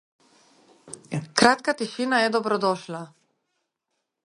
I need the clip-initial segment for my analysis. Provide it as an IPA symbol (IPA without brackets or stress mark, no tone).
k